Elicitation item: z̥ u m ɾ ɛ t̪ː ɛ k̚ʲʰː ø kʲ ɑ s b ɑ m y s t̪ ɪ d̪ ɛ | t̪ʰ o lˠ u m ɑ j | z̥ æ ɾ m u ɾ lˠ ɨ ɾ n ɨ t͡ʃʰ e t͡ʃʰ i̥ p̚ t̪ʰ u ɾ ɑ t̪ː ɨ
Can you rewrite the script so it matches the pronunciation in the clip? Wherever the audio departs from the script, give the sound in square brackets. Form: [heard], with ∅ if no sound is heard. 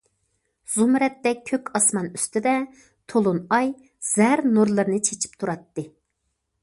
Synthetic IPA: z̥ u m ɾ ɛ t̪ː ɛ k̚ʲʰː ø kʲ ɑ s [m] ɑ [n] y s t̪ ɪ d̪ ɛ | t̪ʰ o lˠ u [n] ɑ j | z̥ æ ɾ [n] u ɾ lˠ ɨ ɾ n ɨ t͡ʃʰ e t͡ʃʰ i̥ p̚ t̪ʰ u ɾ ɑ t̪ː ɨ